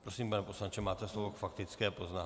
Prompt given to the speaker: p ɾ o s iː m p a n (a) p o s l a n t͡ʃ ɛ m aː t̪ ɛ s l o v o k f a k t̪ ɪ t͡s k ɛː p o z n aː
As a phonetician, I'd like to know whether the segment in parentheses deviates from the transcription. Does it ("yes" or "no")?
yes